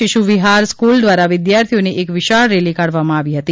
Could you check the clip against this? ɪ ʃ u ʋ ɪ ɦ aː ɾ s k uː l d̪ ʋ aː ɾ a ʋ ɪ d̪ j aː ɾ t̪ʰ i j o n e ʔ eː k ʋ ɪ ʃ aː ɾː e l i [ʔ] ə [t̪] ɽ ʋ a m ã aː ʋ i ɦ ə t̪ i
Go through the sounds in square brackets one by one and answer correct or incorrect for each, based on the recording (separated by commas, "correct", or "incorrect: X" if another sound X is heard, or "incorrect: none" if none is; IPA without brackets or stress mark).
incorrect: k, incorrect: none